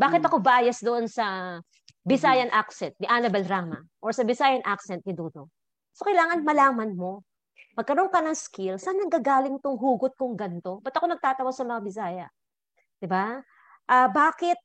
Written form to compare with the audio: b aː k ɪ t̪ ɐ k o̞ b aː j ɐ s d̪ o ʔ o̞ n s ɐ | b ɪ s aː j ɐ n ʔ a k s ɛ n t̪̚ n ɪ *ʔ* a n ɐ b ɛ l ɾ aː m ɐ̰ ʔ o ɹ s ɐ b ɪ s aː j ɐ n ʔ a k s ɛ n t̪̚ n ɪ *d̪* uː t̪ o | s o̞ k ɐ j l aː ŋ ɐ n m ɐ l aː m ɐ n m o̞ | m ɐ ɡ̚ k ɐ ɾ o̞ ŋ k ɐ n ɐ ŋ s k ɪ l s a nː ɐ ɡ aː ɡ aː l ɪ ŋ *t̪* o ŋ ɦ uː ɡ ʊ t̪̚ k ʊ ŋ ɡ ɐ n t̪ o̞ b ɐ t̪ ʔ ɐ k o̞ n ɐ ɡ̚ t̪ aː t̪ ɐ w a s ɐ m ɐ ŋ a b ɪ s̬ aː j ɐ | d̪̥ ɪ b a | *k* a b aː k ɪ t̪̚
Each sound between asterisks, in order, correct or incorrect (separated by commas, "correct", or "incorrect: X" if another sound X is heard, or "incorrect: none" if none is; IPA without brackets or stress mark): correct, correct, correct, incorrect: ʔ